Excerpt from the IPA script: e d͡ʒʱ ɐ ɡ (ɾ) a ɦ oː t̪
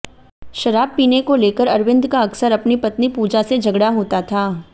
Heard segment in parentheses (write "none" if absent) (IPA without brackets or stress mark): ɽ